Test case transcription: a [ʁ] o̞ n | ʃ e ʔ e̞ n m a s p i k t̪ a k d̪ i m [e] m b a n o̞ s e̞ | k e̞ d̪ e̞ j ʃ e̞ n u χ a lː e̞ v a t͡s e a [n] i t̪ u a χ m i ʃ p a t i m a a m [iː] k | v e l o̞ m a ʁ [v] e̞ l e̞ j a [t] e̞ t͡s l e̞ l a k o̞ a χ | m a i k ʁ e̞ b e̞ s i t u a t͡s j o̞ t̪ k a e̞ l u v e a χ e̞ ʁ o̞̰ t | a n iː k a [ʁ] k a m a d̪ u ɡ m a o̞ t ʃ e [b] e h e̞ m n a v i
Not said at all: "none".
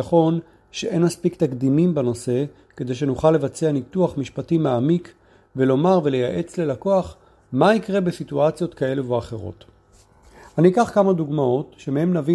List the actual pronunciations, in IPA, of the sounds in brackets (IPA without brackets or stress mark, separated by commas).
χ, i, n, i, v, ʔ, χ, m